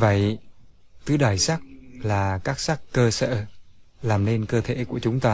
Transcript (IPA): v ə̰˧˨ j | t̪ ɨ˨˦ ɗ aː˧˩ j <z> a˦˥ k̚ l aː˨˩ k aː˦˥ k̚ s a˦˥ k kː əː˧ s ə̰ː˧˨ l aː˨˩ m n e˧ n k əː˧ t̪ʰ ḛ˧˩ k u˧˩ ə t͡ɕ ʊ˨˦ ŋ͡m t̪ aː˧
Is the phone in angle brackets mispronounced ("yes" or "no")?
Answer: yes